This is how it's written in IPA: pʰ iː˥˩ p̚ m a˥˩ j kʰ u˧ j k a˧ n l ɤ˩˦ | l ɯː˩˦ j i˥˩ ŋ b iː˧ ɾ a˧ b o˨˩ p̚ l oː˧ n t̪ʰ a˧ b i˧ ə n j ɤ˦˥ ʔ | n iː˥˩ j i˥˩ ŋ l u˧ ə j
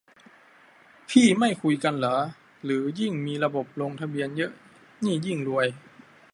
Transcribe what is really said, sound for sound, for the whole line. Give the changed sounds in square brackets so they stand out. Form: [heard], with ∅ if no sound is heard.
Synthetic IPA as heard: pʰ iː˥˩ [∅] m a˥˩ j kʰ u˧ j k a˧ n l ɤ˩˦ | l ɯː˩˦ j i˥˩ ŋ [m] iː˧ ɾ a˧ b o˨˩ p̚ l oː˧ [ŋ] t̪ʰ a˧ b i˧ ə n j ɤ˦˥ ʔ | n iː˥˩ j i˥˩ ŋ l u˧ ə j